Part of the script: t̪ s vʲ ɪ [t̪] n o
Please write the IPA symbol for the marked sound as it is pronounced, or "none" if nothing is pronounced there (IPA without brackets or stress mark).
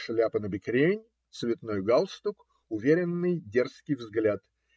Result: t̪